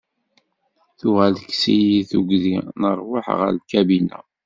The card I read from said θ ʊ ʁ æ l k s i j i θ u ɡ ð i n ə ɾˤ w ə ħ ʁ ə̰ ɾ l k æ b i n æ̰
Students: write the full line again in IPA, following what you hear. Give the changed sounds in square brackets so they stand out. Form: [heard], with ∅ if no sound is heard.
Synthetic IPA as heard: θ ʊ ʁ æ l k s i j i θ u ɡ ð i n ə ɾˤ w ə ħ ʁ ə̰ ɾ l k æ b i n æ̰